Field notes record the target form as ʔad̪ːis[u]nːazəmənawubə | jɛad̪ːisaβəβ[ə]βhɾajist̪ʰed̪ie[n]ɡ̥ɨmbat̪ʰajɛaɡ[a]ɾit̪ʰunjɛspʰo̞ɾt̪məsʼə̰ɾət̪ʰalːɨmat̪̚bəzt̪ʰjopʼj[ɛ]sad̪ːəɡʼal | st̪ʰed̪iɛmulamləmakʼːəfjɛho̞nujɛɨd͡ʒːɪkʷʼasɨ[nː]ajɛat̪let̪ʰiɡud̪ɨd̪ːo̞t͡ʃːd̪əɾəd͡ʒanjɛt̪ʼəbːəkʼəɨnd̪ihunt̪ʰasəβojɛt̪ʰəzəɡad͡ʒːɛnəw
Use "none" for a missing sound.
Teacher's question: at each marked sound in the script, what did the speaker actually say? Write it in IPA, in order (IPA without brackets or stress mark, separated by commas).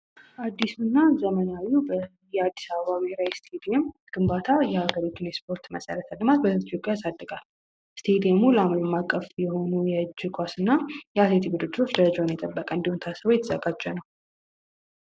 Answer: u, a, m, ə, a, nː